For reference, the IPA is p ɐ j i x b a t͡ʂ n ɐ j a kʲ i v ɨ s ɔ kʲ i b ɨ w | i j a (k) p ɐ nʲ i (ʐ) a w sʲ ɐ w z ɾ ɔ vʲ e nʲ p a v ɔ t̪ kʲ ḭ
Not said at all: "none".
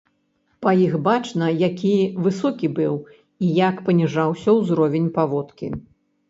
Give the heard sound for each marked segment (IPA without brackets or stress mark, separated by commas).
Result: k, ʐ